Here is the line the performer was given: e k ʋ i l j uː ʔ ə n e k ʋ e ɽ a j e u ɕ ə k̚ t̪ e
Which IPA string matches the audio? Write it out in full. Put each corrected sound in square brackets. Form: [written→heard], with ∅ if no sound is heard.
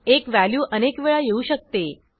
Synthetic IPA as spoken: e k ʋ [i→æ] l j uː ʔ ə n e k ʋ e [ɽ→ɭ] a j e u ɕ ə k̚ t̪ e